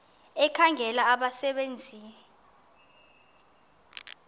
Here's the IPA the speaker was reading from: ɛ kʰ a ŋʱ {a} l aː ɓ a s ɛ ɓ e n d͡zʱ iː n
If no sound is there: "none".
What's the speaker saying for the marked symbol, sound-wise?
ɛ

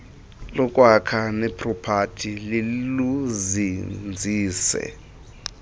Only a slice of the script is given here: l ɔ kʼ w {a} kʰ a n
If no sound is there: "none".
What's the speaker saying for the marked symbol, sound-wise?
a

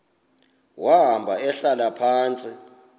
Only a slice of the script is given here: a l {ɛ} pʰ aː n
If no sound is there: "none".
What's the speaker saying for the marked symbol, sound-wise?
a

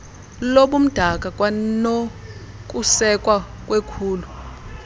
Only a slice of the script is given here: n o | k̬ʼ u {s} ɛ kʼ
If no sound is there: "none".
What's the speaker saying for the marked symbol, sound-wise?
s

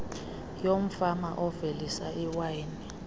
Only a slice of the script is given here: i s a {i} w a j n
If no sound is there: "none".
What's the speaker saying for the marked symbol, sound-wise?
i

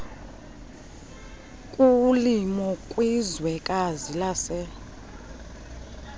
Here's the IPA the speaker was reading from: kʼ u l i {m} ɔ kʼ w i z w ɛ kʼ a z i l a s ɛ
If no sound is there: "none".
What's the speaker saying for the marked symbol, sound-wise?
m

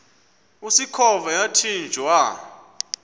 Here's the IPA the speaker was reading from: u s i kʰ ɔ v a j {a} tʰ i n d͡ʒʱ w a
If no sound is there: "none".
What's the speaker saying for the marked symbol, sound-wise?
a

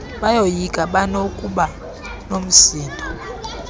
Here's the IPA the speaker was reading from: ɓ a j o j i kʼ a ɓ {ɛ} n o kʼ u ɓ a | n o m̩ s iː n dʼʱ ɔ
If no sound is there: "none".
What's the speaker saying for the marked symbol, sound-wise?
a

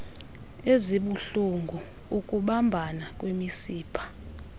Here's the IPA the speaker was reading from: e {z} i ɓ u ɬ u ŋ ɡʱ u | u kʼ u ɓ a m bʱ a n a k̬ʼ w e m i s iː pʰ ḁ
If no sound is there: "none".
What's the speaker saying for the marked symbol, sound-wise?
z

